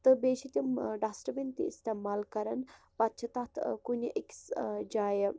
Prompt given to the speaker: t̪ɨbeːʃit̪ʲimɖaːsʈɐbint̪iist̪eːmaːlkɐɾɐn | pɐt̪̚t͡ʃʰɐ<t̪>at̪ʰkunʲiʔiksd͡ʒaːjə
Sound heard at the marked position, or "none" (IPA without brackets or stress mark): t̪